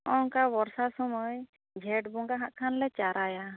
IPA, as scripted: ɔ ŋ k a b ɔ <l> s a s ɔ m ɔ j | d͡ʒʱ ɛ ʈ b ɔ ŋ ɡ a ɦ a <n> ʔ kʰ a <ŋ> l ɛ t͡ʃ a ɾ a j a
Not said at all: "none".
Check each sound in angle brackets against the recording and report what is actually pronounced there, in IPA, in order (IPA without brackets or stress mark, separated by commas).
ɾ, none, n